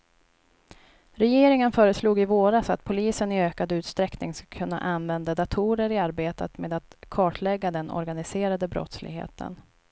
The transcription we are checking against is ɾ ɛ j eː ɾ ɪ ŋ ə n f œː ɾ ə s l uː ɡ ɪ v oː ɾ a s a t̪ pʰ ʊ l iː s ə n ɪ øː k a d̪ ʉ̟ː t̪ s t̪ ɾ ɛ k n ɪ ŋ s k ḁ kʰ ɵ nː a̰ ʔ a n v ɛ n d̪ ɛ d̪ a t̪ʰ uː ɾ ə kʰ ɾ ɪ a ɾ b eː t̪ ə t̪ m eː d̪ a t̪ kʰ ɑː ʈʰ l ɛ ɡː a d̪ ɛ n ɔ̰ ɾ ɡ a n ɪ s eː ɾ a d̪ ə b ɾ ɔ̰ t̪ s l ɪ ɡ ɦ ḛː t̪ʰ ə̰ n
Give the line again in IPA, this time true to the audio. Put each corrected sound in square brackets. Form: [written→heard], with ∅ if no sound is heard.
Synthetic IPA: ɾ ɛ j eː ɾ ɪ ŋ ə n f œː ɾ ə s l uː ɡ ɪ v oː ɾ a s a t̪ pʰ ʊ l iː s ə n ɪ øː k a d̪ ʉ̟ː t̪ s t̪ ɾ ɛ k n ɪ ŋ s k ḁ kʰ ɵ nː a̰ ʔ a n v ɛ n d̪ [ɛ→a] d̪ a t̪ʰ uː ɾ ə [kʰ→∅] ɾ ɪ a ɾ b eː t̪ ə t̪ m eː d̪ a t̪ kʰ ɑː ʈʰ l ɛ ɡː a d̪ ɛ n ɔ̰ ɾ ɡ a n ɪ s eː ɾ a d̪ ə b ɾ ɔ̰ t̪ s l ɪ ɡ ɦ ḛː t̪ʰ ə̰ n